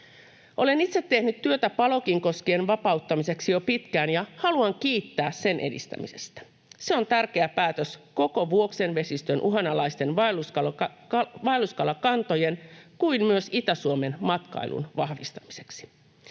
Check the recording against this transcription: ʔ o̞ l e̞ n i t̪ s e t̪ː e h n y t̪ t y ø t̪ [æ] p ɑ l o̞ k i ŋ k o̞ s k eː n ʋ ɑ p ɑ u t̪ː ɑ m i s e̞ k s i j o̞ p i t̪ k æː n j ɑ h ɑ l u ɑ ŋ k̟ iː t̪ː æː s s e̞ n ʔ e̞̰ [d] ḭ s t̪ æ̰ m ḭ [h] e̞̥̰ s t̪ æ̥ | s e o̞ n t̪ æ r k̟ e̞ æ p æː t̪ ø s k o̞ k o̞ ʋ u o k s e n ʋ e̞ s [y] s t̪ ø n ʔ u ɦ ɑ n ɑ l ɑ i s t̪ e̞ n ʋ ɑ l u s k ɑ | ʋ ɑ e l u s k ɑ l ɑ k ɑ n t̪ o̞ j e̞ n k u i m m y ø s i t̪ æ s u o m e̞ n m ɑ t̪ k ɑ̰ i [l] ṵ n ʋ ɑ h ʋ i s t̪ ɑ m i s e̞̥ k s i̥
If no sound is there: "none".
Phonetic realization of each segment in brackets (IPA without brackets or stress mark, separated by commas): æ, d, s, i, l